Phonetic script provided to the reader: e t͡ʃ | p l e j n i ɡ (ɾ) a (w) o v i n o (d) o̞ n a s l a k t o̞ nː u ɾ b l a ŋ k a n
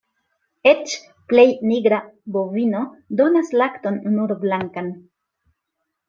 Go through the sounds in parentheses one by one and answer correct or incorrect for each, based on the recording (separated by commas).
correct, incorrect, correct